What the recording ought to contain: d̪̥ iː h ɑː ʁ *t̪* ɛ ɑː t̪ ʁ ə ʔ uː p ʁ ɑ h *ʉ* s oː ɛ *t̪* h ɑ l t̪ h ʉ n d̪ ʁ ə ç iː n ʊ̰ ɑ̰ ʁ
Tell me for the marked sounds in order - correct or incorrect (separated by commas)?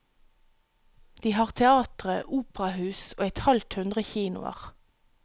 incorrect, incorrect, correct